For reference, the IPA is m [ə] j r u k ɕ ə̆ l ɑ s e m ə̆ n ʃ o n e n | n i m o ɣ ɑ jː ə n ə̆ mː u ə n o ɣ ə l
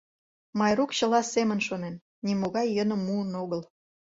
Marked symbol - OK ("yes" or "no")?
no